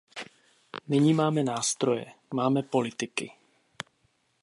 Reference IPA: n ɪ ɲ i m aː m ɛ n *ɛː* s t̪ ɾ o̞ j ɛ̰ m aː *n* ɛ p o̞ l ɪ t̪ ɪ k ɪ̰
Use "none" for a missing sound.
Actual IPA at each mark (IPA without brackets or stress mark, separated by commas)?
aː, m